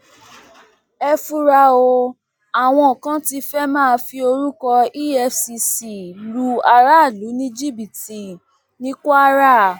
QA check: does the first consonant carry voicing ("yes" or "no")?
no